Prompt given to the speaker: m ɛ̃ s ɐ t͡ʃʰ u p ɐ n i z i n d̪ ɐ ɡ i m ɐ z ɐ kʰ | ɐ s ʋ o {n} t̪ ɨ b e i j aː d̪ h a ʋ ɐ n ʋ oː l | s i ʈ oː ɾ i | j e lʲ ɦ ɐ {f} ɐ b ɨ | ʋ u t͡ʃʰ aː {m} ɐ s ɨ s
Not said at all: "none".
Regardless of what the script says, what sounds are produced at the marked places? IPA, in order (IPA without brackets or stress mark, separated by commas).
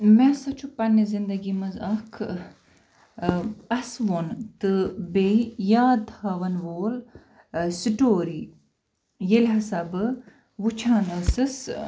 n, s, n